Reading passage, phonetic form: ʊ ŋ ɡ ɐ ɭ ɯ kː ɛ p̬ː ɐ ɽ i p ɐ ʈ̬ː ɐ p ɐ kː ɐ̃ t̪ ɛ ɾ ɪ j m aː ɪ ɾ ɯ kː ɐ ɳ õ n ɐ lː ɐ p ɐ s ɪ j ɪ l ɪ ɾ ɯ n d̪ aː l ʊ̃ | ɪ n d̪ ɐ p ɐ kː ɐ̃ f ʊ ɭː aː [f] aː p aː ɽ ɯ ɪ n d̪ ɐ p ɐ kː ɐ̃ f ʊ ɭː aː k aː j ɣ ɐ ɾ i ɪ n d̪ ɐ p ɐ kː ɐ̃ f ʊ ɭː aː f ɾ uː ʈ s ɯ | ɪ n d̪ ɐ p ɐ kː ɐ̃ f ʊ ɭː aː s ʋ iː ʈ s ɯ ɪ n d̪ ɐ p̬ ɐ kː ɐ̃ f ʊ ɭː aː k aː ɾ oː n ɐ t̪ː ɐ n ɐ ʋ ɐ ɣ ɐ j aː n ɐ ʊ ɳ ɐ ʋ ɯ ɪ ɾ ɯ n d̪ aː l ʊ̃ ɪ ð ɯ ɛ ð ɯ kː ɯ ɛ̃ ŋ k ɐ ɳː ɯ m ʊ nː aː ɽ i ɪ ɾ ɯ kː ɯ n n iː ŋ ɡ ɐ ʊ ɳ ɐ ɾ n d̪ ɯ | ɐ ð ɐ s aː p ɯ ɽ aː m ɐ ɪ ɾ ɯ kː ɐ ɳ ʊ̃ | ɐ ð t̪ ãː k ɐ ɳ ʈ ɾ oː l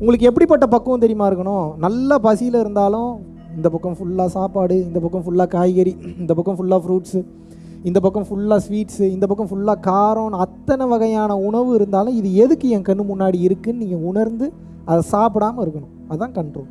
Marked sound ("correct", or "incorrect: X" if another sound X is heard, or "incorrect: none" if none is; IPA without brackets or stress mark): incorrect: s